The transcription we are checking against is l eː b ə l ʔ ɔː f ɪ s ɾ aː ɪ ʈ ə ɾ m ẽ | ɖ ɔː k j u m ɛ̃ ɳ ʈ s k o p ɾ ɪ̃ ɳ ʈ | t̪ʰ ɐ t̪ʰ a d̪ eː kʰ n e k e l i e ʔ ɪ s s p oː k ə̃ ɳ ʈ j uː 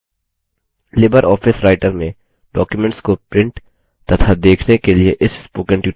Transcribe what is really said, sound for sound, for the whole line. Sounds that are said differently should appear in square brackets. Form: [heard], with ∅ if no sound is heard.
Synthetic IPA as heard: l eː b ə [ɾ] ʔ ɔː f ɪ s ɾ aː ɪ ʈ ə ɾ m ẽ | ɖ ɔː k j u m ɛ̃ ɳ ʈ s k o p ɾ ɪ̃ ɳ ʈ | [t̪] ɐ t̪ʰ a d̪ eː kʰ n e k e l i e ʔ ɪ s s p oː k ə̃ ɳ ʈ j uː